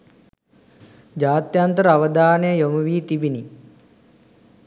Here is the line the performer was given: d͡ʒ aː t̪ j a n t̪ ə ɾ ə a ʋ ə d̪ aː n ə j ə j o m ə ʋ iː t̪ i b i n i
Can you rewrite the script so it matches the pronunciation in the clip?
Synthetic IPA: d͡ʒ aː t̪ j a n t̪ ə ɾ ə a ʋ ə d̪ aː n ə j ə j o m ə ʋ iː t̪ i b i n i